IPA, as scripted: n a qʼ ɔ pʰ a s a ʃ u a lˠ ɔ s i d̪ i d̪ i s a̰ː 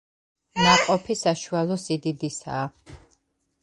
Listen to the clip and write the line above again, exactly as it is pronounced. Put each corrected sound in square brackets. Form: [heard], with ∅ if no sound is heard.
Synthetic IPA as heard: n a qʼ ɔ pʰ [i] s a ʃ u a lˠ ɔ s i d̪ i d̪ i s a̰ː